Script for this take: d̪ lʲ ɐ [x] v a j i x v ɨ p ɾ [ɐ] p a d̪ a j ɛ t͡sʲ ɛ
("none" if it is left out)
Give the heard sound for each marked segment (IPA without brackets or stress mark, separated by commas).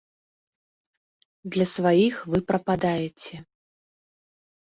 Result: s, ɐ